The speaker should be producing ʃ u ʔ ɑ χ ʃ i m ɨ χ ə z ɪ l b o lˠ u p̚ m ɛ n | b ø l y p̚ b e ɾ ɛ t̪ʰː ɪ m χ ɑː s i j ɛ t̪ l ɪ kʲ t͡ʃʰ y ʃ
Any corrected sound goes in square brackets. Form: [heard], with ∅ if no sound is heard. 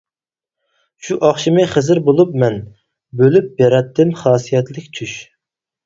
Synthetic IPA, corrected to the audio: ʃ u ʔ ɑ χ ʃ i m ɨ χ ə z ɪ [ɾ] b o lˠ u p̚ m ɛ n | b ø l y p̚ b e ɾ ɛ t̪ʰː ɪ m χ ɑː s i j ɛ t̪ l ɪ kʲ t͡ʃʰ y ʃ